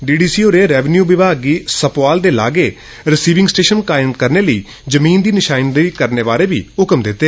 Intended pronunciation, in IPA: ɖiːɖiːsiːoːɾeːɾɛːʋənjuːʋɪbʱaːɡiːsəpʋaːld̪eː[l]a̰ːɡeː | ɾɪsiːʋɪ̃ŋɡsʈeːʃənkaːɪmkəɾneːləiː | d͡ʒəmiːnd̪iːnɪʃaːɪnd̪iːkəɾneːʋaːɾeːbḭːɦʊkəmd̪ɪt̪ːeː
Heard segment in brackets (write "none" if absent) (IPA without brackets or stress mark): l